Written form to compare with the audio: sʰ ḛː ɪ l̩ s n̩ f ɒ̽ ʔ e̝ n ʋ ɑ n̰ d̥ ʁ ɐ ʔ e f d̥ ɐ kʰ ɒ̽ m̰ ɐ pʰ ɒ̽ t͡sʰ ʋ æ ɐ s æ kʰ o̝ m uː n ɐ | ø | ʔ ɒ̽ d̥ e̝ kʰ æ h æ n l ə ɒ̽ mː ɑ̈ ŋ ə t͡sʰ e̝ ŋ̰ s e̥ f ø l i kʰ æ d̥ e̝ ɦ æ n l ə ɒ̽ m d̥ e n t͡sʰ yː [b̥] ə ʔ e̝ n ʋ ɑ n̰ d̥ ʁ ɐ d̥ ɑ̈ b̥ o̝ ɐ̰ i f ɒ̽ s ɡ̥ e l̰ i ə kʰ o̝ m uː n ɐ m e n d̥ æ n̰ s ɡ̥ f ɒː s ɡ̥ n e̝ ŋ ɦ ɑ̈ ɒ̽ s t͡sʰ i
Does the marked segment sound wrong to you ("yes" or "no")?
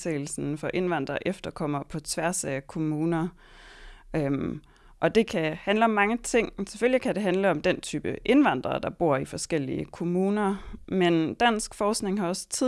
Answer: no